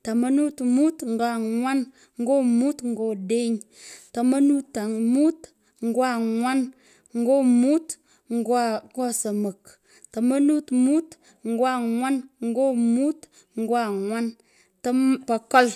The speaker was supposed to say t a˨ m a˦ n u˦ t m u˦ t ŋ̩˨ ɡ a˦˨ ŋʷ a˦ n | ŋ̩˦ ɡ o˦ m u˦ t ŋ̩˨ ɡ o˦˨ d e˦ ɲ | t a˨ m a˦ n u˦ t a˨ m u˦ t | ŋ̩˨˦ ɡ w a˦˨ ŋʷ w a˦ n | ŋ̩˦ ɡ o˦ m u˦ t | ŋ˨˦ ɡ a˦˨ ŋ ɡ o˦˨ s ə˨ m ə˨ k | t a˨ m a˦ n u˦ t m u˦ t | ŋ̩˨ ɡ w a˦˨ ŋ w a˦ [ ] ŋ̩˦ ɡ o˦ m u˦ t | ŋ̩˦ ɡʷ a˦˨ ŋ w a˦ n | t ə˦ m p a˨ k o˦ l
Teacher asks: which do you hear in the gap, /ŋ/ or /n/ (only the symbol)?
n